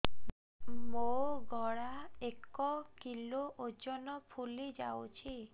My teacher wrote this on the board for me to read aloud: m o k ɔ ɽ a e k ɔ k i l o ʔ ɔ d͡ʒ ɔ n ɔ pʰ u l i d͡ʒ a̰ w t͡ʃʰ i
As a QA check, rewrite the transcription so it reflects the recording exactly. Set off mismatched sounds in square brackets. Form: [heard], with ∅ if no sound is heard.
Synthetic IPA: m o [ɡ] ɔ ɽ a e k ɔ k i l o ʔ [o] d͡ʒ ɔ n ɔ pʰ u l i d͡ʒ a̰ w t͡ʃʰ i

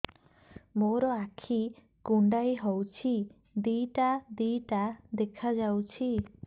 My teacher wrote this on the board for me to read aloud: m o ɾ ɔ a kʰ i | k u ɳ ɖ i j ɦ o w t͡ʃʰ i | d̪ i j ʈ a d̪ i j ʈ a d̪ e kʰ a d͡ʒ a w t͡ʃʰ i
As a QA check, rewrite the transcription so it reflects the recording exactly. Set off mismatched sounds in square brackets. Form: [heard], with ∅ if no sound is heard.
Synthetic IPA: m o ɾ ɔ a kʰ i | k u ɳ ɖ [a] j ɦ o w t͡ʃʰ i | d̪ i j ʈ a d̪ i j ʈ a d̪ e kʰ a d͡ʒ a w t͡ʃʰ i

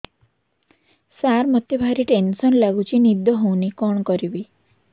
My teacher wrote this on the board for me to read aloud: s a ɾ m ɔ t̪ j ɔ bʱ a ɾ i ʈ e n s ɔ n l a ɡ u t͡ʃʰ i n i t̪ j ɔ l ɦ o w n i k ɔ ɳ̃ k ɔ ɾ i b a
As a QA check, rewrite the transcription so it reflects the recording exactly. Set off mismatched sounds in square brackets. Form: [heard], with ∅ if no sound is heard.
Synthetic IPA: s a ɾ m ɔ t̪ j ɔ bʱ a ɾ i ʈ e n s ɔ n l a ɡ u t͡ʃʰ i n i [d̪] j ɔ [∅] ɦ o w n i k ɔ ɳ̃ k ɔ ɾ i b [i]

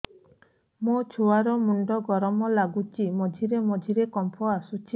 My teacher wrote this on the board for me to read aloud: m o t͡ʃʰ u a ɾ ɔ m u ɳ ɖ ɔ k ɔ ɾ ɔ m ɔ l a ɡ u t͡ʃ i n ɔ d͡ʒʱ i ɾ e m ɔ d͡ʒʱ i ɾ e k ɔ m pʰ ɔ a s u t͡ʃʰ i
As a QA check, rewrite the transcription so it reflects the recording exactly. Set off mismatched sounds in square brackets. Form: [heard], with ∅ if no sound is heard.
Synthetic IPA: m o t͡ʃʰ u a ɾ ɔ m u ɳ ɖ ɔ [ɡ] ɔ ɾ ɔ m ɔ l a ɡ u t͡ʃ i [m] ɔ d͡ʒʱ i ɾ e m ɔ d͡ʒʱ i ɾ e k ɔ m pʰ ɔ a s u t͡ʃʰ i

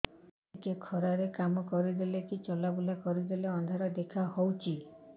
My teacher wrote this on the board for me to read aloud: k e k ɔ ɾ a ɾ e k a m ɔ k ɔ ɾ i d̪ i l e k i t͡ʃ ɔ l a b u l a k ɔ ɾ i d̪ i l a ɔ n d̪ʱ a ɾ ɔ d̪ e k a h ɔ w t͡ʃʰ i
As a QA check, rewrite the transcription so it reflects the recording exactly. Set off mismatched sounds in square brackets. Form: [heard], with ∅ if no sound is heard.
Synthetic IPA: k e [kʰ] ɔ ɾ a ɾ e k a m ɔ k ɔ ɾ i d̪ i l e k i t͡ʃ ɔ l a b u l a k ɔ ɾ i d̪ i l [e] ɔ n d̪ʱ a ɾ ɔ d̪ e [kʰ] a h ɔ w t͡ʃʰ i

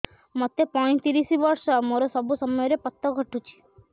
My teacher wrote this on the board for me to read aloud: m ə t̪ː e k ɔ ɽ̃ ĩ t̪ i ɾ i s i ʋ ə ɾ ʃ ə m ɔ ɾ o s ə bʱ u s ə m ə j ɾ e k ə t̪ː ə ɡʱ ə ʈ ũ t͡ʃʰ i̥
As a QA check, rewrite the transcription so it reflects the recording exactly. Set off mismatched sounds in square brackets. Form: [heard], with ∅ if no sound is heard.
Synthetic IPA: m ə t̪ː e [p] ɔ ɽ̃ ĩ t̪ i ɾ i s i ʋ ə ɾ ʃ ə m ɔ ɾ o s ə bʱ u s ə m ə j ɾ e [p] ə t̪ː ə ɡʱ ə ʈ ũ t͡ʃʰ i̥

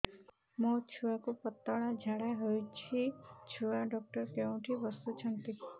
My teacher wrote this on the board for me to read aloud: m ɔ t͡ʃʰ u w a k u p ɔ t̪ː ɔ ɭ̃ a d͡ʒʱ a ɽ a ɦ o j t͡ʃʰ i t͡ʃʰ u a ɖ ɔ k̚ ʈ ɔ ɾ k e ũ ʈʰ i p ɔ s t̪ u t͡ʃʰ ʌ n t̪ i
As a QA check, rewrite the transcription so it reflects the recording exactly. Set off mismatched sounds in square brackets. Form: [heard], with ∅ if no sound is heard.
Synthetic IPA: m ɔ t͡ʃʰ u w a k u p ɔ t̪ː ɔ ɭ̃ a d͡ʒʱ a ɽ a ɦ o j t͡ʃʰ i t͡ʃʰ u a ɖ ɔ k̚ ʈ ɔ ɾ k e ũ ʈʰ i [b] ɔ s t̪ u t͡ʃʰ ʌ n t̪ i

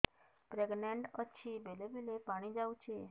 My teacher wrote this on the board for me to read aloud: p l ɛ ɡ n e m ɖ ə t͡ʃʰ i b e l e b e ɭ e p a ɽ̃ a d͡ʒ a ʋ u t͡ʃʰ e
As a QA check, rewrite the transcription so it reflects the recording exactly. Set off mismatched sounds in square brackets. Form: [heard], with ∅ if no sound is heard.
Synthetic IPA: p [ɾ] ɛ ɡ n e [ɳ] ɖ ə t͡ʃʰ i b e l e b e [l] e p a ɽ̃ [i] d͡ʒ a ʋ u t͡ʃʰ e

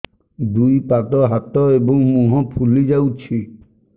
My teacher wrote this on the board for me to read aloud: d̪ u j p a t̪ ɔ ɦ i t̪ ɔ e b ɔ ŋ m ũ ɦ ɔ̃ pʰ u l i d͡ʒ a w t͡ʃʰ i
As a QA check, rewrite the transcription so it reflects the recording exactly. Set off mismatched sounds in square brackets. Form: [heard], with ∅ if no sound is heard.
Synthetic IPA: d̪ u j p a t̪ ɔ ɦ [a] t̪ ɔ e b ɔ ŋ m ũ ɦ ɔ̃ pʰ u l i d͡ʒ a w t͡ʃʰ i

